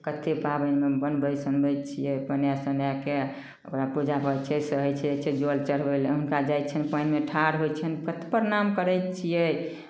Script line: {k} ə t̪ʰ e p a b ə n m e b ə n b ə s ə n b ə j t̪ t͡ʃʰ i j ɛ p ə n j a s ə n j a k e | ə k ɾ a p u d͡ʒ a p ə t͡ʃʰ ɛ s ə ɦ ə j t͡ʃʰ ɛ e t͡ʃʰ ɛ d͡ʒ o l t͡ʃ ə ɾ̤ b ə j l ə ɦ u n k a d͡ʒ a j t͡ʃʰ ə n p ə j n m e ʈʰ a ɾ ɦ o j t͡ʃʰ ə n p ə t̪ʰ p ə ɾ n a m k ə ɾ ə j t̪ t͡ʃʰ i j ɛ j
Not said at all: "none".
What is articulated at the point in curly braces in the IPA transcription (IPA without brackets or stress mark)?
k